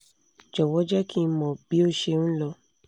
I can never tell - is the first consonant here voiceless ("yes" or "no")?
no